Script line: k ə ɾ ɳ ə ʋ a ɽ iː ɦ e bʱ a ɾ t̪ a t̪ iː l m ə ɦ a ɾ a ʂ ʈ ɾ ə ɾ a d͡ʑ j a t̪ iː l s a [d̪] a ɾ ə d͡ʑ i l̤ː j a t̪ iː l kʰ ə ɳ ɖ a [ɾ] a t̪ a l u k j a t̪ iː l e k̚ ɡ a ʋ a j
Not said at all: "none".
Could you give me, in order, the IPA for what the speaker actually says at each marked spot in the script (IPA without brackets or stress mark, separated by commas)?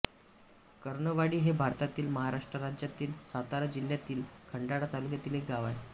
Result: t̪, ɽ